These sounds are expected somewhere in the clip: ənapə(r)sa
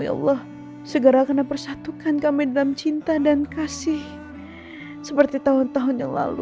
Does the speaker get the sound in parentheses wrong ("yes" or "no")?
no